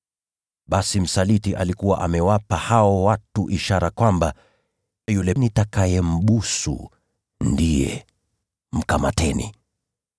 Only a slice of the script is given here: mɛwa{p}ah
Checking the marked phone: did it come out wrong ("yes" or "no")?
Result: no